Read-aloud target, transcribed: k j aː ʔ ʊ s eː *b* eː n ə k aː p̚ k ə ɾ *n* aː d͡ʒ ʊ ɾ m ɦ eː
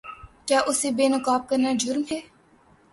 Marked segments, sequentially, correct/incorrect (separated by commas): correct, correct